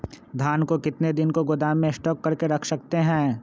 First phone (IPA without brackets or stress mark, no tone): d̪ʱ